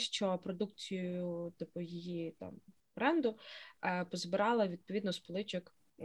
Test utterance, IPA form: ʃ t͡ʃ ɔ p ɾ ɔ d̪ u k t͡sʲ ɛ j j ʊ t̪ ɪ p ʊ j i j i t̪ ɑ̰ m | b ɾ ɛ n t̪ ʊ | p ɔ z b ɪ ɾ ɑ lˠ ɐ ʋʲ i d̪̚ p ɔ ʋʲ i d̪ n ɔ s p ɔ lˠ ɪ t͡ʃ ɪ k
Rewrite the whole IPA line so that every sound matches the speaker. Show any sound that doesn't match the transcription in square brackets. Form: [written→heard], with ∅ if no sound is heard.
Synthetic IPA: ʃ t͡ʃ ɔ p ɾ ɔ d̪ u k t͡sʲ [ɛ→i] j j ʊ t̪ ɪ p ʊ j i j i t̪ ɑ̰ m | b ɾ ɛ n [t̪→d̪] ʊ | p ɔ z b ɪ ɾ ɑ lˠ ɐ ʋʲ i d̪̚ p ɔ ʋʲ i d̪ n ɔ s p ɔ lˠ ɪ t͡ʃ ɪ k